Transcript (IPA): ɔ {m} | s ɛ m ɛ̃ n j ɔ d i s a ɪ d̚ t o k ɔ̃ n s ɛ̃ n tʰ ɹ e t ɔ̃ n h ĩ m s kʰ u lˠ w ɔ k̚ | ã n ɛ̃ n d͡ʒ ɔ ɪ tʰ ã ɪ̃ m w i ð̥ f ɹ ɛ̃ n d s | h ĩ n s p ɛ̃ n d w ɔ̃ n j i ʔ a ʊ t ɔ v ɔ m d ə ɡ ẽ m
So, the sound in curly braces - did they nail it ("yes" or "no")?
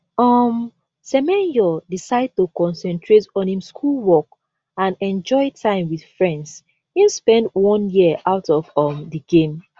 yes